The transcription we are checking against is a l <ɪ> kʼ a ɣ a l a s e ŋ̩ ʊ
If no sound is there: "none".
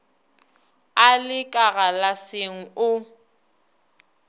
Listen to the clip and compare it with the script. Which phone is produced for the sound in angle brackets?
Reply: ɪ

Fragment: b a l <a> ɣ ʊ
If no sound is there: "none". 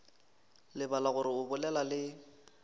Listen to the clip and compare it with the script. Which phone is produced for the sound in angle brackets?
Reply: a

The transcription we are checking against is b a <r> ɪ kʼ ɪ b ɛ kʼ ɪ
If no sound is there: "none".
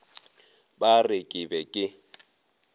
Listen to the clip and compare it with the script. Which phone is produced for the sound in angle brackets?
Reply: r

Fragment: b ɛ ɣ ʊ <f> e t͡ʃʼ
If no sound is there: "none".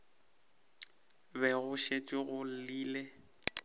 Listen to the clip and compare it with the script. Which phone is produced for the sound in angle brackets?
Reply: ʃ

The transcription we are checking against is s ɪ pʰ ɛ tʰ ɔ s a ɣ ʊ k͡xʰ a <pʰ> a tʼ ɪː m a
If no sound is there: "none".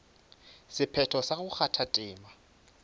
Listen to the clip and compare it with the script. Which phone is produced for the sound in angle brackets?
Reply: tʰ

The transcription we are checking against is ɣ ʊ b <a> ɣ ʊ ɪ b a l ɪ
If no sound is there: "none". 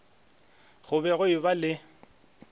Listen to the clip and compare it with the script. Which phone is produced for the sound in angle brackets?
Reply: ɛ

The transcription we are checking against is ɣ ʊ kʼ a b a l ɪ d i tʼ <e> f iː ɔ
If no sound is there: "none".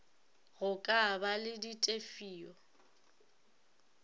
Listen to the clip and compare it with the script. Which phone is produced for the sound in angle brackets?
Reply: e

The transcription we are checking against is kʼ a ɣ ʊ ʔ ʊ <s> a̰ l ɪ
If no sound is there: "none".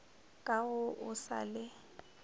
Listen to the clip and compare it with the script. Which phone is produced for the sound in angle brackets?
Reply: s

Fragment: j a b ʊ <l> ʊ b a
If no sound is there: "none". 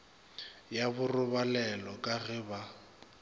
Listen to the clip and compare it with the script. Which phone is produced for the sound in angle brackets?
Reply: r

